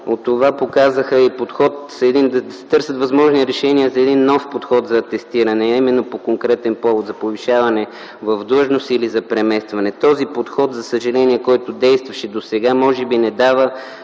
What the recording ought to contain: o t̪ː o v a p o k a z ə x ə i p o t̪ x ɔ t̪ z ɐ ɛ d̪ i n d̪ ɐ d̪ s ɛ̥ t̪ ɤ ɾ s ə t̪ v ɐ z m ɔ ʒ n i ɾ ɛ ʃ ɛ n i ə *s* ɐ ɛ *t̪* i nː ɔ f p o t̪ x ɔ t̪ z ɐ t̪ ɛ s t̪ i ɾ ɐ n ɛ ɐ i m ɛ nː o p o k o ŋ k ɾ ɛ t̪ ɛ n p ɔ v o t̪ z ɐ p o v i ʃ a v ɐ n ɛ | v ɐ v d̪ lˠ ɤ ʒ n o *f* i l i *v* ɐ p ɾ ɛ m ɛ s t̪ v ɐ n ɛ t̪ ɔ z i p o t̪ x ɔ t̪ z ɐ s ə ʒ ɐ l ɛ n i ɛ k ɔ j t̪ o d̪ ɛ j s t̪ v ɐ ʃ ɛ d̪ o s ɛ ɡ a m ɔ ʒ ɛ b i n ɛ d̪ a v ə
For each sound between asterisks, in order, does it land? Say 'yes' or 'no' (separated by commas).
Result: no, no, no, no